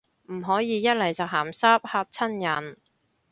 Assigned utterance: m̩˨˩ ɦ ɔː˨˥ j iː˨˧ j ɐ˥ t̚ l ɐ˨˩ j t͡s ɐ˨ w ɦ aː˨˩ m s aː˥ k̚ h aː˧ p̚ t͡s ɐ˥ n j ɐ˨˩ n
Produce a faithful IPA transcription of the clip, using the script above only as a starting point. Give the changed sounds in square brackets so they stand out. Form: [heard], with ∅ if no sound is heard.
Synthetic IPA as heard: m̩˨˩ ɦ ɔː˨˥ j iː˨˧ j ɐ˥ t̚ l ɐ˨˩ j t͡s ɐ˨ w ɦ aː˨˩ m s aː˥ [p̚] h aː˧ p̚ [t͡sʰ] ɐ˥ n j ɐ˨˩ n